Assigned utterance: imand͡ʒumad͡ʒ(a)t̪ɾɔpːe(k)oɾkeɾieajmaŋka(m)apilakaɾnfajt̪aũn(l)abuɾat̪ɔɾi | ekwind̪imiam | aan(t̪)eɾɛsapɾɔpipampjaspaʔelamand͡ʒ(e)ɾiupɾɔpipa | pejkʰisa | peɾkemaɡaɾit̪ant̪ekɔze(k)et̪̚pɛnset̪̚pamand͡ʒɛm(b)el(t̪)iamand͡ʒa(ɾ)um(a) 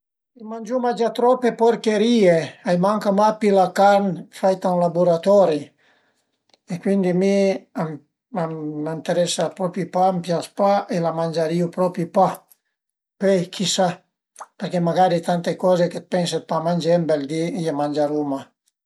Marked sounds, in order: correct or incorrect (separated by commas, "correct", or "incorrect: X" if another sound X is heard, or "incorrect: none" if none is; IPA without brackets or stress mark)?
correct, incorrect: p, correct, correct, correct, incorrect: a, correct, correct, incorrect: d̪, correct, correct